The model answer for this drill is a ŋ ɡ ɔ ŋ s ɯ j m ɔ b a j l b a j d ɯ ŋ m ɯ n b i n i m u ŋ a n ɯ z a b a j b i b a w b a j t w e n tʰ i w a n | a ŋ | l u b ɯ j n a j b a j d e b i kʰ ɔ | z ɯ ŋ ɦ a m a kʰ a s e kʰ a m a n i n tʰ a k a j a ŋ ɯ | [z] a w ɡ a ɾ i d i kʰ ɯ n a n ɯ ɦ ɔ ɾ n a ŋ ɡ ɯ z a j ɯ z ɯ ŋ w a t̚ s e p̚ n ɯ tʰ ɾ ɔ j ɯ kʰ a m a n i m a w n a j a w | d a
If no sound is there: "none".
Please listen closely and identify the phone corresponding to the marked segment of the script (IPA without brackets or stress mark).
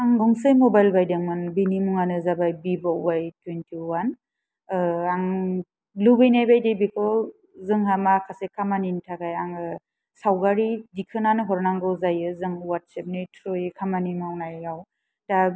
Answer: s